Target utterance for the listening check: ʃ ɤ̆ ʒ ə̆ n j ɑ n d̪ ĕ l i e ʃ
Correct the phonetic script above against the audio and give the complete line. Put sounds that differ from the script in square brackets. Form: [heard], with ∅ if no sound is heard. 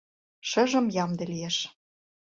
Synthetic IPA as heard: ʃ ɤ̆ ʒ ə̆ [m] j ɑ [m] d̪ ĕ l i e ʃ